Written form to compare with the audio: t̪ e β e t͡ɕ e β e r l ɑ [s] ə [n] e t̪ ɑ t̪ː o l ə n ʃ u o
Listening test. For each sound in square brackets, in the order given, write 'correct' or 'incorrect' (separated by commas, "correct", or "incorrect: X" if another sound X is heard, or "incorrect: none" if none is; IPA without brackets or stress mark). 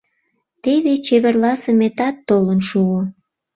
correct, incorrect: m